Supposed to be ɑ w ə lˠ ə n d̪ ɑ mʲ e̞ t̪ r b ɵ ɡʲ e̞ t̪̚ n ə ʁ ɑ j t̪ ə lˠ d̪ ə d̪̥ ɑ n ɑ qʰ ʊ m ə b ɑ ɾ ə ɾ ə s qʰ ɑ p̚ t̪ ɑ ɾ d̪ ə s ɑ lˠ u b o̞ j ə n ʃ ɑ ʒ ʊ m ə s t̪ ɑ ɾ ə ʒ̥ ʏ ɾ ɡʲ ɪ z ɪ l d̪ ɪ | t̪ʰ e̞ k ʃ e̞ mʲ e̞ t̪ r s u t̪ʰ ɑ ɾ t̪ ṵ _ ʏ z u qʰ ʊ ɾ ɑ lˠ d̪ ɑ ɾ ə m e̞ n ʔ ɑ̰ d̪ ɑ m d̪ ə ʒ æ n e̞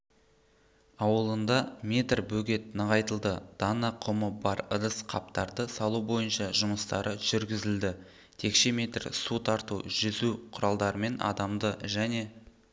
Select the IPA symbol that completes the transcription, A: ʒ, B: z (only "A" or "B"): A